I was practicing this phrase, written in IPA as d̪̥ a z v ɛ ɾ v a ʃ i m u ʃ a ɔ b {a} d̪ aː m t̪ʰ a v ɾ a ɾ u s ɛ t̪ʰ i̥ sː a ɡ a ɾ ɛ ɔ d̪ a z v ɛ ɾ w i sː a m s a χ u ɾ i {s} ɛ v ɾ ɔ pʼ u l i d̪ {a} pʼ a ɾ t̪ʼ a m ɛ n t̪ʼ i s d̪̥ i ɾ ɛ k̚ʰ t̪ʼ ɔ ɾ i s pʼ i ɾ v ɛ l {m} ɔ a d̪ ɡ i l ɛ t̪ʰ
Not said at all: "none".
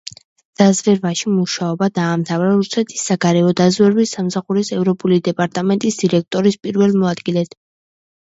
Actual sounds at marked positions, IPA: a, s, ɛ, m

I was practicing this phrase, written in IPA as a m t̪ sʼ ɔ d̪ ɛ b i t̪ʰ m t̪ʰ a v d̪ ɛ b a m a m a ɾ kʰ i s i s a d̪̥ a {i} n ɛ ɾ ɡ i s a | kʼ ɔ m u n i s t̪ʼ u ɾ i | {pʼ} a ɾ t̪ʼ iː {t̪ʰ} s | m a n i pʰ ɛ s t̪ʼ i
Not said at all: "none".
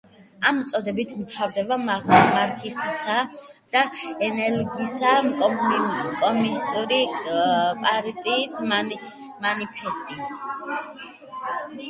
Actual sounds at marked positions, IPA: ɛ, pʼ, none

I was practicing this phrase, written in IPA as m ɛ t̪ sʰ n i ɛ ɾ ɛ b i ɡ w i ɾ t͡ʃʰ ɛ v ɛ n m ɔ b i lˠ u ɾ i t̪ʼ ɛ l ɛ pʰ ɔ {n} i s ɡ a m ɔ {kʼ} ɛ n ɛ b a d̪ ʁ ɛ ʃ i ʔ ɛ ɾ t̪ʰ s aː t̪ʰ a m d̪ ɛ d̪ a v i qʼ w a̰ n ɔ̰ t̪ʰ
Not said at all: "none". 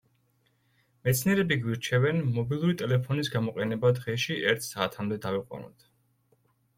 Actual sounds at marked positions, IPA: n, qʼ

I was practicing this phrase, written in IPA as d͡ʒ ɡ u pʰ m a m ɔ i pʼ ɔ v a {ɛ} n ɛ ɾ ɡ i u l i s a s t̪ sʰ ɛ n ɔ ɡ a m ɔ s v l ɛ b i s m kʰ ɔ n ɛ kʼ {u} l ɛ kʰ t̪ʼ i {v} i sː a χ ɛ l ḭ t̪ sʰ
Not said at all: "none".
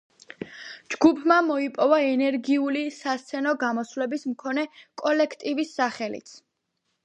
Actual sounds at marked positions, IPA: ɛ, ɔ, v

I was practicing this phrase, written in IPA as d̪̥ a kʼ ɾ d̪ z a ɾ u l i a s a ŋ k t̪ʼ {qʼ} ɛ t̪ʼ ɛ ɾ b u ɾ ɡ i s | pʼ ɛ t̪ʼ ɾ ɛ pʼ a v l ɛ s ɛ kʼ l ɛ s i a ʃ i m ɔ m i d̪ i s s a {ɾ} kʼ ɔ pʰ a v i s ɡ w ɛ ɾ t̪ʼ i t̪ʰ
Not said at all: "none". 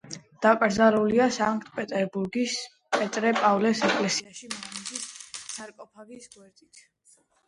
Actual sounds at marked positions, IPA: pʼ, ɾ

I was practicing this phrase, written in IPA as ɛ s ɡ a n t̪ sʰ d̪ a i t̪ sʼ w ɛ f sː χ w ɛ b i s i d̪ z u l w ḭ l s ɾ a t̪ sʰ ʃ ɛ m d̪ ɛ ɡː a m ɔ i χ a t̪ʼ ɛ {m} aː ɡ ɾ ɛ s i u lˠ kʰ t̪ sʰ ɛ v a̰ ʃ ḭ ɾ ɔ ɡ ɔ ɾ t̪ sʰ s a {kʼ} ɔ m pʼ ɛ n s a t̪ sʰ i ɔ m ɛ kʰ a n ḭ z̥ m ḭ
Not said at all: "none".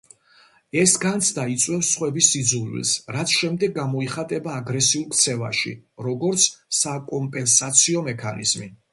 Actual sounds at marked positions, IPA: b, kʼ

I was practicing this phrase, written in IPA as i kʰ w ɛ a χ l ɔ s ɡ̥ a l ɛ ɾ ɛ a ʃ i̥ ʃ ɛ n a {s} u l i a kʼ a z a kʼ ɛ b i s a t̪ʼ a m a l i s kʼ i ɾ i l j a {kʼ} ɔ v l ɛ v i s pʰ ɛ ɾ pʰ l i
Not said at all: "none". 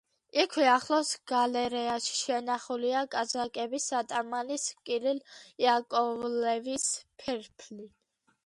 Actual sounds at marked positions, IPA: χ, kʼ

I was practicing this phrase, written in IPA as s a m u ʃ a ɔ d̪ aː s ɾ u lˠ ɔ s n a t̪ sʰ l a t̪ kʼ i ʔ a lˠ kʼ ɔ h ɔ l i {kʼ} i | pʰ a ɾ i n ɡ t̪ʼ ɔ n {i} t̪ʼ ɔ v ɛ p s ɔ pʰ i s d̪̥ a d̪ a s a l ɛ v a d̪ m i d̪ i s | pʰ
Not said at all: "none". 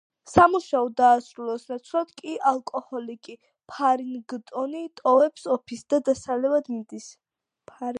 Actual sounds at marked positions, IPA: kʼ, i

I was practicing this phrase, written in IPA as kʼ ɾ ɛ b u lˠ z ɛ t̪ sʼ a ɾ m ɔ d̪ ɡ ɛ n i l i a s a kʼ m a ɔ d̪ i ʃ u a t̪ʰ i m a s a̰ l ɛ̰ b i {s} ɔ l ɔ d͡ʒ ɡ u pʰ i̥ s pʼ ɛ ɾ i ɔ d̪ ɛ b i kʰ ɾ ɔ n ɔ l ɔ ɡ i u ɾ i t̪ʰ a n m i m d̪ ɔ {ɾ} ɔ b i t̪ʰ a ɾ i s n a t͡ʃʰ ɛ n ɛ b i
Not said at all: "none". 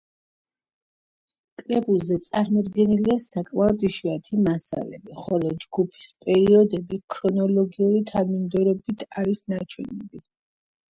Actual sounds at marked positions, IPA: χ, ɾ

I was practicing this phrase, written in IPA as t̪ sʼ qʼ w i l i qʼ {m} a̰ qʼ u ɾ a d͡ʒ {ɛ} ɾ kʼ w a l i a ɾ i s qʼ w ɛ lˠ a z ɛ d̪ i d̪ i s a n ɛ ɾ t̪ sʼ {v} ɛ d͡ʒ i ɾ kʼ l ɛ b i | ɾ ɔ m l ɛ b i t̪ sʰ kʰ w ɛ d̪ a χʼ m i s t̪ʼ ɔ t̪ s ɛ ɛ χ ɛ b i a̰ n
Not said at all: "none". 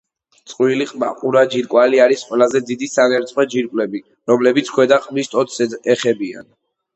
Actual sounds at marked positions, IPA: m, i, w

